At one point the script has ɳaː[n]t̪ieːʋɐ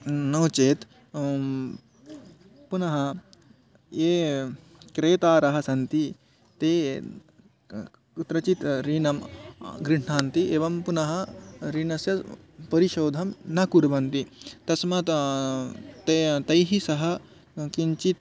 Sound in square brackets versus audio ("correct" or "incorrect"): correct